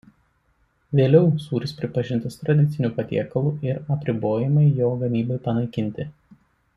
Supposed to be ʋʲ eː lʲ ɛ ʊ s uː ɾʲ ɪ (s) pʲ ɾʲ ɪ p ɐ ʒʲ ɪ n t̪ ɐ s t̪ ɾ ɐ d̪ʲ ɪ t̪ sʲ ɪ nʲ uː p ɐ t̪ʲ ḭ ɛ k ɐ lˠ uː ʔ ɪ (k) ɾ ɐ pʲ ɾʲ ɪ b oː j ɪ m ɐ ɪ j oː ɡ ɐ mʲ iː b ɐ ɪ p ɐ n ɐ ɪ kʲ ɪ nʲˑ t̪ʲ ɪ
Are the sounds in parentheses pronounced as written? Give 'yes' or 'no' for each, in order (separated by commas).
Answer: yes, no